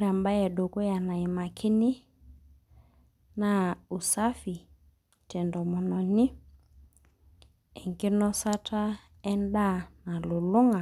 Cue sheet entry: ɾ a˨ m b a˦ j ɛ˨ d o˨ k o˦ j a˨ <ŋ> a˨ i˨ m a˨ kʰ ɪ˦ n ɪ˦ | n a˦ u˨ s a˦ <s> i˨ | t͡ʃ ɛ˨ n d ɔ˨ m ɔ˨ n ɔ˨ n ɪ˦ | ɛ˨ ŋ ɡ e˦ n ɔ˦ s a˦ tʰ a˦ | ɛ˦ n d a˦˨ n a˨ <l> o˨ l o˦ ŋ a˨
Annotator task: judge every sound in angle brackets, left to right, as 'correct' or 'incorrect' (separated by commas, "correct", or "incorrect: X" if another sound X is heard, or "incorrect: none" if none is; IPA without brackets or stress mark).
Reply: incorrect: n, incorrect: f, correct